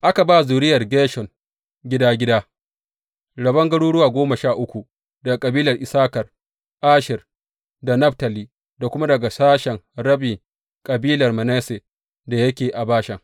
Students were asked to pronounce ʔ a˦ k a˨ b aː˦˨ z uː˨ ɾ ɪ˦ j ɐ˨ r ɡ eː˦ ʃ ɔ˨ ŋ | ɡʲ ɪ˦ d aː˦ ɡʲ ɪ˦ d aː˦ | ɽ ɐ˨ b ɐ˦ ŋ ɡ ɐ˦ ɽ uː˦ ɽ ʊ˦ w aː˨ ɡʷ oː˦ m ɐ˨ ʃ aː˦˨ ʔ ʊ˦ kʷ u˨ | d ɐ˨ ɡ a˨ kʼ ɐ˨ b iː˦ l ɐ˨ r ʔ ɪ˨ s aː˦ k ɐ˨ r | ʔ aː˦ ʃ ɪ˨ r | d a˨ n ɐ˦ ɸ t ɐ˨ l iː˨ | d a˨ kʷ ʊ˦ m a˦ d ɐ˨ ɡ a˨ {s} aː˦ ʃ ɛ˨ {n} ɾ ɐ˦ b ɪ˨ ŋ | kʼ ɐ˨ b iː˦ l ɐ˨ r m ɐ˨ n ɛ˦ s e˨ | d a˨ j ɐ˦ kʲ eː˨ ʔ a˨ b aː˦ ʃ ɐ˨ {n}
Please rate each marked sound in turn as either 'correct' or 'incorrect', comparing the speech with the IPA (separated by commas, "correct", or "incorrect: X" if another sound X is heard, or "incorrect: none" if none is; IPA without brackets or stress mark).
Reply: correct, incorrect: ŋ, incorrect: ŋ